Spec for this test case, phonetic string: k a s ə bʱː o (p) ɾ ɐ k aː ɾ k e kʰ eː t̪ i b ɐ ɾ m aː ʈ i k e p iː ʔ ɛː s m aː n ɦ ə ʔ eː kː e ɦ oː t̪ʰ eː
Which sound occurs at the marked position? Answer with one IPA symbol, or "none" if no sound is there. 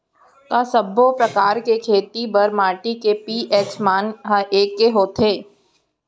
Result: p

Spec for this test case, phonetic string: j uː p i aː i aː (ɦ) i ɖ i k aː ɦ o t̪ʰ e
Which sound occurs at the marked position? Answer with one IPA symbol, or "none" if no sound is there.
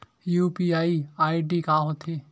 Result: none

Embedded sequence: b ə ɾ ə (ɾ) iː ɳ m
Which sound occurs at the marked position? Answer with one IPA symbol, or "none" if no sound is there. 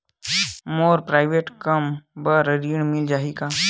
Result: ɾ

